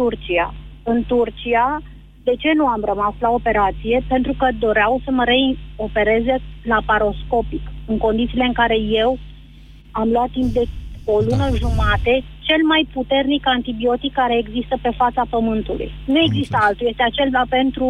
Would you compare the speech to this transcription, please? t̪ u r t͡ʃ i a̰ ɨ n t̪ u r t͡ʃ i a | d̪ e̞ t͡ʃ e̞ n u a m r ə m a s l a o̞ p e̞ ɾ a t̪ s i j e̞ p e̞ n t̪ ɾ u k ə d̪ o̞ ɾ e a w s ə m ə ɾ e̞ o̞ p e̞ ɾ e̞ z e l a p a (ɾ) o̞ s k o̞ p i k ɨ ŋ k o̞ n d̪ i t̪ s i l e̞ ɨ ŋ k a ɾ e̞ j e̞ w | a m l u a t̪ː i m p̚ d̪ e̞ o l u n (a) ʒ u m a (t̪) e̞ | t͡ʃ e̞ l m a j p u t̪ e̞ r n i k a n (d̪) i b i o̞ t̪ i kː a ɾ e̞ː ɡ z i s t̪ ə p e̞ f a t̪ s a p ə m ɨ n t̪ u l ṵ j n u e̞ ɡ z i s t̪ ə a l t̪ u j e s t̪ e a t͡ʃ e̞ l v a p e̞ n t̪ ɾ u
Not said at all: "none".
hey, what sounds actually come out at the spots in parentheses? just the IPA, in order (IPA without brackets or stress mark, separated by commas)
ɾ, ə, t̪, t̪